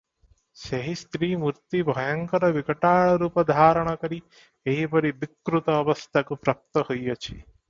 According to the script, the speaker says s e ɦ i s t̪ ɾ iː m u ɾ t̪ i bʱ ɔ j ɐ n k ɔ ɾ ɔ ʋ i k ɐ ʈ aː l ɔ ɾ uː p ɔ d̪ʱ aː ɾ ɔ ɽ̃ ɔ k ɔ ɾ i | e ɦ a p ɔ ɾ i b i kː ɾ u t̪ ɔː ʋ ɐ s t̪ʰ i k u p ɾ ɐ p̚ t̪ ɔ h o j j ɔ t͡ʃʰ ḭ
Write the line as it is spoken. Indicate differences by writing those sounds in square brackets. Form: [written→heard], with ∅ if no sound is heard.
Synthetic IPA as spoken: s e ɦ i s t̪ ɾ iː m u ɾ t̪ i bʱ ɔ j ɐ [n→ŋ] k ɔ ɾ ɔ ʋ i k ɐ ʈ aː [l→ɭ] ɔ ɾ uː p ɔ d̪ʱ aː ɾ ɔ ɽ̃ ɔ k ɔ ɾ i | e ɦ [a→i] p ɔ ɾ i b i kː ɾ u t̪ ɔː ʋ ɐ s t̪ʰ [i→a] k u p ɾ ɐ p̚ t̪ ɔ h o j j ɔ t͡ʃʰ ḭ